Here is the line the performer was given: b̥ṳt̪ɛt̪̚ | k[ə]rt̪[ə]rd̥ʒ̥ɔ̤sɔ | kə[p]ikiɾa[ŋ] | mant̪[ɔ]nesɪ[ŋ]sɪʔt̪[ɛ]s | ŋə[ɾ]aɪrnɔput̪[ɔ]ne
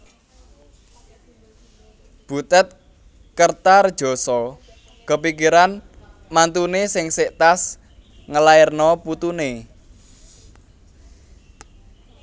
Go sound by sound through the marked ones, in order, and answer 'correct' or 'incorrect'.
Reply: correct, incorrect: a, correct, incorrect: n, incorrect: u, correct, incorrect: a, incorrect: l, incorrect: u

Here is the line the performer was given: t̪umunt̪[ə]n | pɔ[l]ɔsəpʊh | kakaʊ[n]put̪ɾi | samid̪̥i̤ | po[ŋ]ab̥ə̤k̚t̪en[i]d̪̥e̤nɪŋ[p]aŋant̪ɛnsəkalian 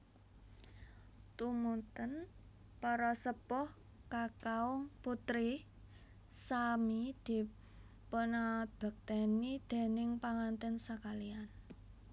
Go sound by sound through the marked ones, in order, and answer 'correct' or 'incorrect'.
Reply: correct, incorrect: ɾ, incorrect: ŋ, incorrect: n, correct, correct

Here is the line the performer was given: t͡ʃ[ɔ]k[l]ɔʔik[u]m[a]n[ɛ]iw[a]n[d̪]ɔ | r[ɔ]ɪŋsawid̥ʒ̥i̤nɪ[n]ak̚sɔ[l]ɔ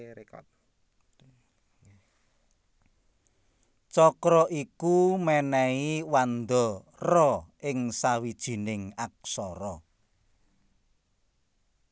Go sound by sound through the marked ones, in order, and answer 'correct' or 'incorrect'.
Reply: correct, incorrect: ɾ, correct, incorrect: ɛ, correct, correct, correct, correct, incorrect: ŋ, incorrect: ɾ

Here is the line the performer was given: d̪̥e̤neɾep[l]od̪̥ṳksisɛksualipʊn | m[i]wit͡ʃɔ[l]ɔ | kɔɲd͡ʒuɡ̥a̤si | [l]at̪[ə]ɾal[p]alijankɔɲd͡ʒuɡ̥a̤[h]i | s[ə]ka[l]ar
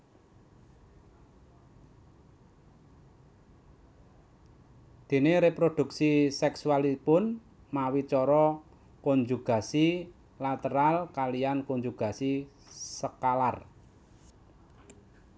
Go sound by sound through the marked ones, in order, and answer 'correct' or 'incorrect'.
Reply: incorrect: ɾ, incorrect: a, incorrect: ɾ, correct, correct, incorrect: k, incorrect: s, correct, correct

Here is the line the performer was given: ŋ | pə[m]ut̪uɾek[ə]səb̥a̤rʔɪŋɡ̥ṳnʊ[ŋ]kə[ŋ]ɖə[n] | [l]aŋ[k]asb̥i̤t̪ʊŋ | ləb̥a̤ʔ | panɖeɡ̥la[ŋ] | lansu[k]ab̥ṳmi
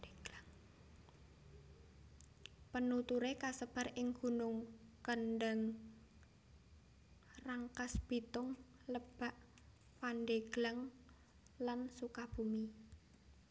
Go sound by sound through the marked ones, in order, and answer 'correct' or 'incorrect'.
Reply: incorrect: n, incorrect: a, correct, incorrect: n, incorrect: ŋ, incorrect: r, correct, correct, correct

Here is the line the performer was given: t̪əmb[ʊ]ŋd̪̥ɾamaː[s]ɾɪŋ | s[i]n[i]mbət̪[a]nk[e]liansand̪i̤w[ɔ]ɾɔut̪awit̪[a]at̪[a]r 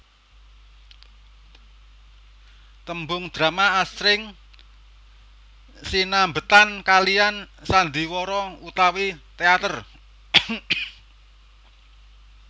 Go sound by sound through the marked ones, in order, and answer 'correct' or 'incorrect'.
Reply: correct, correct, correct, incorrect: a, correct, incorrect: a, correct, incorrect: e, incorrect: ə

